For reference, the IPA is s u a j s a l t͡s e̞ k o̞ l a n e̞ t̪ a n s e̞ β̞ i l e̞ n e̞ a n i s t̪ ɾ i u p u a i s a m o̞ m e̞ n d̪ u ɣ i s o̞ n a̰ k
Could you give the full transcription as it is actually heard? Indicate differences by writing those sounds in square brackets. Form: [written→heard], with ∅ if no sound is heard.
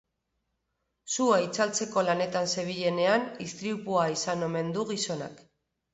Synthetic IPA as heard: s u a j [s→t͡s] a l t͡s e̞ k o̞ l a n e̞ t̪ a n s e̞ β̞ i [l→ʎ] e̞ n e̞ a n i s t̪ ɾ i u p u a i s a [m→n] o̞ m e̞ n d̪ u ɣ i s o̞ n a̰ k